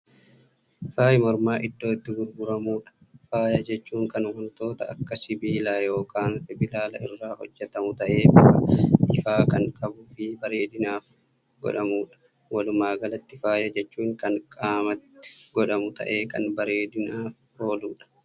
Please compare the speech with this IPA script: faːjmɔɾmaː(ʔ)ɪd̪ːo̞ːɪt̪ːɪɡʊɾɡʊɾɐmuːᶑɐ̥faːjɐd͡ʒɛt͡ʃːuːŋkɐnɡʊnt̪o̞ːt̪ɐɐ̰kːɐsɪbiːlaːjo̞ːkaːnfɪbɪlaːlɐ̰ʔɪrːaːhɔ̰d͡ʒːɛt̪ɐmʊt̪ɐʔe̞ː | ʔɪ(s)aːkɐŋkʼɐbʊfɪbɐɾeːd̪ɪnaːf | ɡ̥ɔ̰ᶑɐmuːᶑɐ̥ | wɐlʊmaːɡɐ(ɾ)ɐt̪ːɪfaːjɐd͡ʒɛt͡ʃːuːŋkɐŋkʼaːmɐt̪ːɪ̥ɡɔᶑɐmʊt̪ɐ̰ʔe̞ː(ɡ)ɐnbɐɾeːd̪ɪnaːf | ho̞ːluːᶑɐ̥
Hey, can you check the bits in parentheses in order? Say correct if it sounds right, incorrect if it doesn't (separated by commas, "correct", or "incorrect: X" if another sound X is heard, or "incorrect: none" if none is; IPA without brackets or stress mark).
correct, incorrect: f, incorrect: l, incorrect: k